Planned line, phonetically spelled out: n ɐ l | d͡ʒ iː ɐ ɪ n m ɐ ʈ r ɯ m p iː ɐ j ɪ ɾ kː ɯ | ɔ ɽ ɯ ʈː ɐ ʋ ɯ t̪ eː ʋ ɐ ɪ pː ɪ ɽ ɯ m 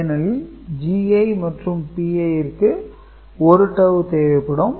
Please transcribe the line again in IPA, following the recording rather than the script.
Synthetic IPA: n ɐ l | d͡ʒ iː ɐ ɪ m ɐ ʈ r ɯ m p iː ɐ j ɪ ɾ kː ɯ | ɔ ɾ ɯ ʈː ɐ ʋ ɯ t̪ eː ʋ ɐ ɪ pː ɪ ɽ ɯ m